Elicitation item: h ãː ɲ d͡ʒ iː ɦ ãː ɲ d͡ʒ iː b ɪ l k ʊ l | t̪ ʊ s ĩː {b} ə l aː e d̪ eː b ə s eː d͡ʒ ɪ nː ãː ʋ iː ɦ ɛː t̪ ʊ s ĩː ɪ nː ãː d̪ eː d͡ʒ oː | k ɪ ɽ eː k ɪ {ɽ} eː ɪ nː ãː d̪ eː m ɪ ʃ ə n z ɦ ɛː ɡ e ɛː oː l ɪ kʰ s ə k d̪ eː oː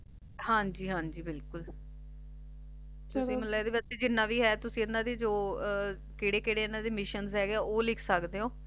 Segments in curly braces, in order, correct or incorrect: incorrect: m, correct

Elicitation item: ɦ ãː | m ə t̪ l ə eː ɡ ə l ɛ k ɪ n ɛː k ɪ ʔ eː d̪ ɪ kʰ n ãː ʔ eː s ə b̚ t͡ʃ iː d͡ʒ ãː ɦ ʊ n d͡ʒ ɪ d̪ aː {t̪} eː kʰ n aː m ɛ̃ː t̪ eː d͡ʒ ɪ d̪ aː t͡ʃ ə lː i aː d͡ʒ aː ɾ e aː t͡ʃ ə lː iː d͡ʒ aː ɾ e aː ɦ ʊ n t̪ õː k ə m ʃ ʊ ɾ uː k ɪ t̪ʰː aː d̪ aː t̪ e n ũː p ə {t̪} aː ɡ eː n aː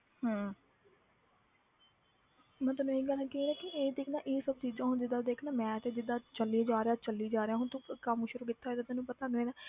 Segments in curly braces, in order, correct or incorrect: incorrect: d̪, correct

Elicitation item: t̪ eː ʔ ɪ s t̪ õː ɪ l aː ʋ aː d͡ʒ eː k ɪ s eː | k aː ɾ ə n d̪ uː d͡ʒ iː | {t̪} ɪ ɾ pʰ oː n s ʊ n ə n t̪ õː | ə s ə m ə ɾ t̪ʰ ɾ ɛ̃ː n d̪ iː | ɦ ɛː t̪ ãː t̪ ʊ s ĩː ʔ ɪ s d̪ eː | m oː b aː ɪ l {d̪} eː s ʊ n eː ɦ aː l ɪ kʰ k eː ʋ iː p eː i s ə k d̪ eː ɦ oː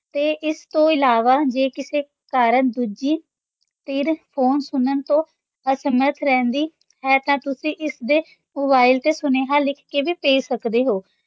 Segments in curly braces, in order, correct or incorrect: correct, incorrect: t̪

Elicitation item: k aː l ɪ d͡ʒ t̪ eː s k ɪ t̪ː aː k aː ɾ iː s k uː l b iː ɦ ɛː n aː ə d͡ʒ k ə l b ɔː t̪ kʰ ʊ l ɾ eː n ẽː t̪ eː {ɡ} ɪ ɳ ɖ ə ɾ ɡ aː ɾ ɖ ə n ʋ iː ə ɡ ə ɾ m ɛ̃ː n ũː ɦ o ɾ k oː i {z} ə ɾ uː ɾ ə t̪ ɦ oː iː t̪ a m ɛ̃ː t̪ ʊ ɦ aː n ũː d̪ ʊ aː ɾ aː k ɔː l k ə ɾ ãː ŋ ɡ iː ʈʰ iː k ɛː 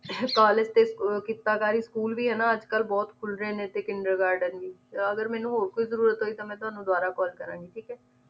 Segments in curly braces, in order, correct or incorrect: incorrect: k, correct

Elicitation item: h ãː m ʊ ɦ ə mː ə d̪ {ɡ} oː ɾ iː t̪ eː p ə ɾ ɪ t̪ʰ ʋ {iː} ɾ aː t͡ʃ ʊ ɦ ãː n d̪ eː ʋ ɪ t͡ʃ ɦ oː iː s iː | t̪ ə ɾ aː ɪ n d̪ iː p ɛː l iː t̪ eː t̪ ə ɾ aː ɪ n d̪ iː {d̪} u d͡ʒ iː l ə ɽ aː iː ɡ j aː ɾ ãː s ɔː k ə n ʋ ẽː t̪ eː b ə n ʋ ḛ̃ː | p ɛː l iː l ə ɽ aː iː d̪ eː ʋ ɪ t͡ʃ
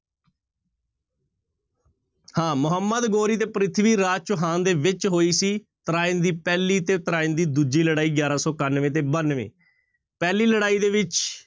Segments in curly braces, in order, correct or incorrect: correct, correct, correct

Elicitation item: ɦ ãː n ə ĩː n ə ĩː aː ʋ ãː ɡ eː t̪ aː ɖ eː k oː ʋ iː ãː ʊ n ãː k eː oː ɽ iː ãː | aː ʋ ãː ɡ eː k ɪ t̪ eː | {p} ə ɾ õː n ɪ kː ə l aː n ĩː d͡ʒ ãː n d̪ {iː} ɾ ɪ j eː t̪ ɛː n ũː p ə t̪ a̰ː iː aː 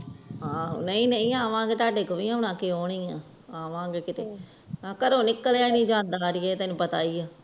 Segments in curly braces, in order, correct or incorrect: incorrect: k, incorrect: aː

